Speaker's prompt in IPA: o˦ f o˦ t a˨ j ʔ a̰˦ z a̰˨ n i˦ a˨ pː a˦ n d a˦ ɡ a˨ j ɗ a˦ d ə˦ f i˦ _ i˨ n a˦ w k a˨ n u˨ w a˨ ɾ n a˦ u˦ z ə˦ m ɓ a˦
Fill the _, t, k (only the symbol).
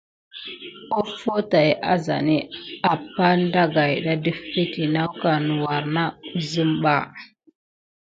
t